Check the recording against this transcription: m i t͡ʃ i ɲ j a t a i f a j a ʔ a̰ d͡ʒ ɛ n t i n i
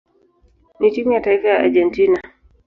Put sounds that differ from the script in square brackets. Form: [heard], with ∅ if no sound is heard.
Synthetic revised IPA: [n] i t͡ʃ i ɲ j a t a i f a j a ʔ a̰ d͡ʒ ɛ n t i n [a]